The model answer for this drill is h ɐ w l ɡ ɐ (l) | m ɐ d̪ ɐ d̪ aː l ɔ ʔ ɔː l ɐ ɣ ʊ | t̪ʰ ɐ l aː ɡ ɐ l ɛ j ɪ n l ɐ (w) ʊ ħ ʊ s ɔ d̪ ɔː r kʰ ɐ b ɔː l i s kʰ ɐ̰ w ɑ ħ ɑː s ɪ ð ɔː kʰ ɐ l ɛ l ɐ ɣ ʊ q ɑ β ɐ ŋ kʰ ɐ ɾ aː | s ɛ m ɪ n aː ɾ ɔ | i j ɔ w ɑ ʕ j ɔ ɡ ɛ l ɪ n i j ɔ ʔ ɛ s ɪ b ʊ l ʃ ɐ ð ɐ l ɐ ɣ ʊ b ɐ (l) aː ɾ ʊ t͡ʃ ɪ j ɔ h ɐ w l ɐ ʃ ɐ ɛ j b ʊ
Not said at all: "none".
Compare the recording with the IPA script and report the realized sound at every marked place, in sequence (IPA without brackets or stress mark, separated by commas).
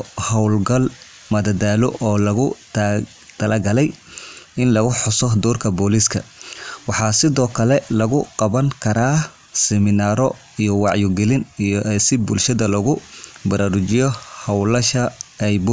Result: l, ɣ, ɾ